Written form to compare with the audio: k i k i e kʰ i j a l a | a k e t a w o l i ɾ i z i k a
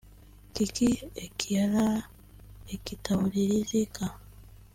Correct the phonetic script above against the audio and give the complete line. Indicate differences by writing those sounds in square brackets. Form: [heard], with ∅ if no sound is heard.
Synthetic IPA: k i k i e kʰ i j a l a | [e] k [i] t a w [u] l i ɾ i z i k a